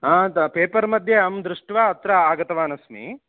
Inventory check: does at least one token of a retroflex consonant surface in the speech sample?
yes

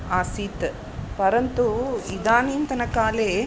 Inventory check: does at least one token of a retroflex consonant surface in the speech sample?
no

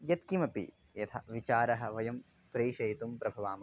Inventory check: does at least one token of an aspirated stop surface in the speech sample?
yes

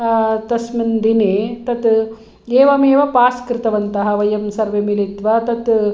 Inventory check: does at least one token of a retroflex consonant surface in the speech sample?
no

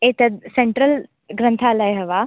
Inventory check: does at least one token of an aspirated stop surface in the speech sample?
yes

